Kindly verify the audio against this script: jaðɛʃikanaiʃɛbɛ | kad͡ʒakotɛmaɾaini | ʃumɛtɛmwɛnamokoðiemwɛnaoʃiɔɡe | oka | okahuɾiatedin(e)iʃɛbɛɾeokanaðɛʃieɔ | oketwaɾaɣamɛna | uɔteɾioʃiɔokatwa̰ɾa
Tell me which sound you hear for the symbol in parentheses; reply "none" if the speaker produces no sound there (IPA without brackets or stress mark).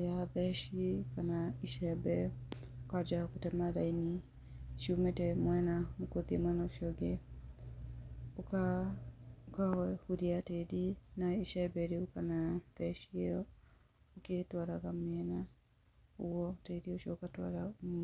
a